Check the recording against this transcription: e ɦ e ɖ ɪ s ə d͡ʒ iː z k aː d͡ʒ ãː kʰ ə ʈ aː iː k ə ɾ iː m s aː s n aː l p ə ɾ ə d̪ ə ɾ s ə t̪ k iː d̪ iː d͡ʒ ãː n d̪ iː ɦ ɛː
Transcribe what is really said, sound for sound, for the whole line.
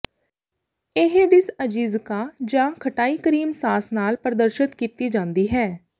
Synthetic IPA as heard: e ɦ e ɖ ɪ s ə d͡ʒ iː z k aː d͡ʒ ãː kʰ ə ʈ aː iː k ə ɾ iː m s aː s n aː l p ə ɾ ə d̪ ə ɾ ʃ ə t̪ k iː t̪ iː d͡ʒ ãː n d̪ iː ɦ ɛː